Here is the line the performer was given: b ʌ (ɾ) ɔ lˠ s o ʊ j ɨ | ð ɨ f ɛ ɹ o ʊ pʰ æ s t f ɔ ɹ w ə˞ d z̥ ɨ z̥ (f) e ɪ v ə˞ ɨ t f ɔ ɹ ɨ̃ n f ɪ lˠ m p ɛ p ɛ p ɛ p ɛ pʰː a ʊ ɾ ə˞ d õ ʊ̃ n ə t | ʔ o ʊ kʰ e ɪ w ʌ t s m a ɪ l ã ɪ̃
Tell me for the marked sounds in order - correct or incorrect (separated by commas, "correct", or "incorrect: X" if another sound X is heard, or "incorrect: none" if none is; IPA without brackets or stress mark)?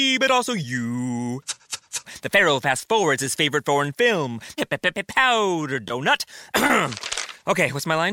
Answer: correct, correct